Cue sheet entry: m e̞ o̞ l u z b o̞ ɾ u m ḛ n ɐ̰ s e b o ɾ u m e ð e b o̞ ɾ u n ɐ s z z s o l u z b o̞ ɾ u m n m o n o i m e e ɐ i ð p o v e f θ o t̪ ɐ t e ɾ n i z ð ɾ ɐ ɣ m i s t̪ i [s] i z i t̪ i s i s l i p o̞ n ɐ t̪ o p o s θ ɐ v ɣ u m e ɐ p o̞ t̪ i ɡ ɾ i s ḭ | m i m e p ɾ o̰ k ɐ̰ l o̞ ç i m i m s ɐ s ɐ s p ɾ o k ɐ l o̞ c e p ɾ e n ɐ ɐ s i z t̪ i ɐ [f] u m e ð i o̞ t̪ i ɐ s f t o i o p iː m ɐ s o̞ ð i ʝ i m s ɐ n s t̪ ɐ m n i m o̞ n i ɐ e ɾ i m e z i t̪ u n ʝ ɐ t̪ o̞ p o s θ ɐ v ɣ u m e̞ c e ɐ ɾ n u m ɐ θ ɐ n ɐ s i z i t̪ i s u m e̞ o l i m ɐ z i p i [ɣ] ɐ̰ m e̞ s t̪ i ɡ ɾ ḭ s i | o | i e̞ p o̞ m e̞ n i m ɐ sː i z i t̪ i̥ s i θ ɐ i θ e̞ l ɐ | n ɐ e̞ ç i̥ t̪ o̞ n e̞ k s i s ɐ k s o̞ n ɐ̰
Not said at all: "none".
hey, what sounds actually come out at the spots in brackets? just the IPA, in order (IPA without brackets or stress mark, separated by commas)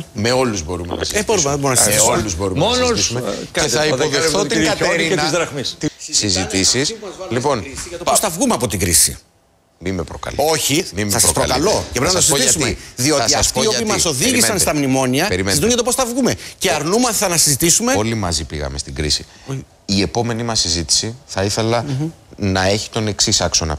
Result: s, s, ɣ